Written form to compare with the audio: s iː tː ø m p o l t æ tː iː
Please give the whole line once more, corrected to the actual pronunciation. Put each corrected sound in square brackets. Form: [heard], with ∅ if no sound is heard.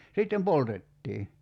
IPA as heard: s [i] tː [e] m p o l t [e] tː iː